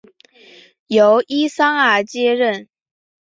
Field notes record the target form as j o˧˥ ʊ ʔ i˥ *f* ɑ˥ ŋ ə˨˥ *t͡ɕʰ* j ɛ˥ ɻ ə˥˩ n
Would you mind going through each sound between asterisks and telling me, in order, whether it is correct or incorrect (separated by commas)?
incorrect, incorrect